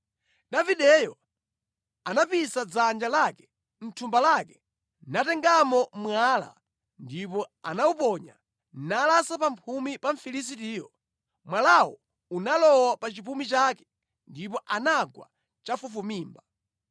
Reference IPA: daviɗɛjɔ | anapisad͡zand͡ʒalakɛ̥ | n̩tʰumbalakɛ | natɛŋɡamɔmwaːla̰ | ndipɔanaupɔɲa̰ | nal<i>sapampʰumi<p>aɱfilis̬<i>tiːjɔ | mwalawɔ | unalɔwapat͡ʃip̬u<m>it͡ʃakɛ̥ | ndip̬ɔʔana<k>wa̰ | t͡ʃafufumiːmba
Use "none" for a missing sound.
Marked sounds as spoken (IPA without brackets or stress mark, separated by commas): a, p, i, m, ɡ